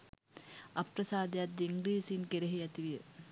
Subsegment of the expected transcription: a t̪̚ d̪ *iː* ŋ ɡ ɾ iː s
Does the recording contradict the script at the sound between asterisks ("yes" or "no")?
yes